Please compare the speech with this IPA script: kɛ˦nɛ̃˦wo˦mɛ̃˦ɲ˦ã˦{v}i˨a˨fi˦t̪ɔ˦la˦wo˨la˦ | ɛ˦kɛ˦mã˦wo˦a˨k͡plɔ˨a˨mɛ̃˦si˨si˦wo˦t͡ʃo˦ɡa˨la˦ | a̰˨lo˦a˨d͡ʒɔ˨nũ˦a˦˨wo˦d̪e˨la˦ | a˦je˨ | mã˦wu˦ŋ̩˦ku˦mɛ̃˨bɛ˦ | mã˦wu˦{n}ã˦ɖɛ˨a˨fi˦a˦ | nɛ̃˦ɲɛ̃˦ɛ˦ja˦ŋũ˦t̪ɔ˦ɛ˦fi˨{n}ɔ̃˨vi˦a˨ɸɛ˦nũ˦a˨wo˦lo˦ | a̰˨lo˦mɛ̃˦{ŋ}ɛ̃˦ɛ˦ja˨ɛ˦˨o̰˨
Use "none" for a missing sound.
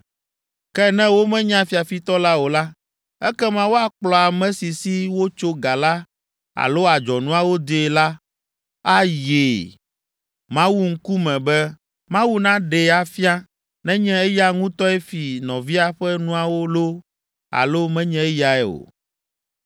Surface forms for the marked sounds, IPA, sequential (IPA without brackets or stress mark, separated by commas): f, n, n, ɲ